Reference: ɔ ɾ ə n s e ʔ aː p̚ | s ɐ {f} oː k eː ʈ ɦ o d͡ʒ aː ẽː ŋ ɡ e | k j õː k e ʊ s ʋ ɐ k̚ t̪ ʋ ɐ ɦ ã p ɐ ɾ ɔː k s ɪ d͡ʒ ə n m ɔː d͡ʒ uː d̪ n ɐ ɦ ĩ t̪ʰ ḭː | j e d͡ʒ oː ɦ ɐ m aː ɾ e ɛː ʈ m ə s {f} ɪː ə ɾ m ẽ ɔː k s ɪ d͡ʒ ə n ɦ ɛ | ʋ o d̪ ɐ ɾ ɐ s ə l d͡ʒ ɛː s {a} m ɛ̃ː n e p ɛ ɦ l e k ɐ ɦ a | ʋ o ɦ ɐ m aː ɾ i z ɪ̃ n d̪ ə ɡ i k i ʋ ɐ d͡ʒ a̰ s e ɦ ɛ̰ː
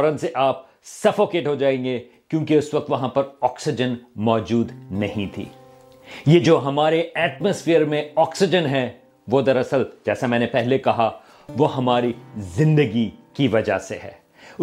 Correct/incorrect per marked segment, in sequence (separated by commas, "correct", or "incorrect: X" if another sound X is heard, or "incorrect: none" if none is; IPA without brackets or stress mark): correct, correct, correct